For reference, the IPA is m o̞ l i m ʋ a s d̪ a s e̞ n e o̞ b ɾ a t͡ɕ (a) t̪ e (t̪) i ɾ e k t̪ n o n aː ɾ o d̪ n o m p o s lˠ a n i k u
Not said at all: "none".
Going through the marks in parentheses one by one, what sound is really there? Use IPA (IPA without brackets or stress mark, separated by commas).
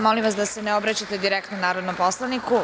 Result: a, d̪